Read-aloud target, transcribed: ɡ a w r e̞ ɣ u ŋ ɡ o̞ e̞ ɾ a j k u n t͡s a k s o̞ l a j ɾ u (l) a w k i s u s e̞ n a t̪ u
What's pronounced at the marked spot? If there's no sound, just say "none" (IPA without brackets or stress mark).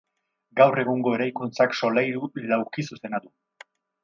l